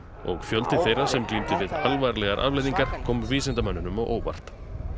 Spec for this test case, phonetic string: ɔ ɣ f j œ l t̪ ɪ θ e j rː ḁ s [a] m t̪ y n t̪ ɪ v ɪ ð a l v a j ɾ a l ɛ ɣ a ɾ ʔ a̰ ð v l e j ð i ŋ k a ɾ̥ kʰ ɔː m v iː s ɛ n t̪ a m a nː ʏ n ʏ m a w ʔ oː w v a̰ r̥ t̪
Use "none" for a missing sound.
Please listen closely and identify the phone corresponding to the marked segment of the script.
ɛ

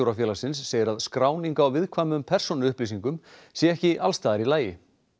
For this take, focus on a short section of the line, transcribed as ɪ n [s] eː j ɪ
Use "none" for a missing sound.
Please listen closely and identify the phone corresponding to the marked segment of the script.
sː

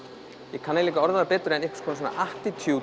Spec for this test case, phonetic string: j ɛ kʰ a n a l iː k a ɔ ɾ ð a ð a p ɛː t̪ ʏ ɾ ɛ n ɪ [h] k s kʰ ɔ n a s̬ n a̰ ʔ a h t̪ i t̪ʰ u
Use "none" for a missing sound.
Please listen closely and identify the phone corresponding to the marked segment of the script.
h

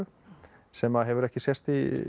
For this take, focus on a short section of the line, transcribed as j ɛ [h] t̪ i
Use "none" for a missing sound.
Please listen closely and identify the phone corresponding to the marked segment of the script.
s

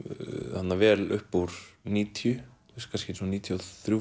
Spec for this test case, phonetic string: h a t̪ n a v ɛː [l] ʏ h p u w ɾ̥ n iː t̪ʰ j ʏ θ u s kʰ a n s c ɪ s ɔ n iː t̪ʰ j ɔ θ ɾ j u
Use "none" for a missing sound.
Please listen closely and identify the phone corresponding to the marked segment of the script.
l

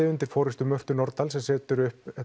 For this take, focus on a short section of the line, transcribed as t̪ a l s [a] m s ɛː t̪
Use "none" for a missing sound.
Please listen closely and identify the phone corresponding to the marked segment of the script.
ɛ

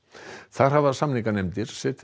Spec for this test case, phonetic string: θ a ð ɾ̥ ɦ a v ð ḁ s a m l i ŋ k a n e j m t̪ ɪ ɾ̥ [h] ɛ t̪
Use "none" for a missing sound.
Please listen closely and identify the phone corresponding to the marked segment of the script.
s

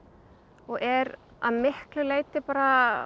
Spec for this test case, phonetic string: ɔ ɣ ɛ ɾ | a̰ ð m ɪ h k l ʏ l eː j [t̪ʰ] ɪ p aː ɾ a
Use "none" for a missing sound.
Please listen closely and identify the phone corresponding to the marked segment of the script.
t̪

